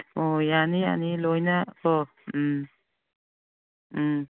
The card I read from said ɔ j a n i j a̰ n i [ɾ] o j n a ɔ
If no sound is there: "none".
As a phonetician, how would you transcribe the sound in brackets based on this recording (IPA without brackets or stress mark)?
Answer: l